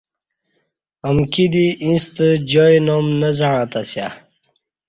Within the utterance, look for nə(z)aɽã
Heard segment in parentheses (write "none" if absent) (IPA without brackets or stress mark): z